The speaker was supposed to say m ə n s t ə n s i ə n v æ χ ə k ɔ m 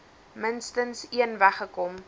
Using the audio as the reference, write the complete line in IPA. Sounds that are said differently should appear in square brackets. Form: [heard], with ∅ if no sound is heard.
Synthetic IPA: m ə n s t ə n s i ə n v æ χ ə k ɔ m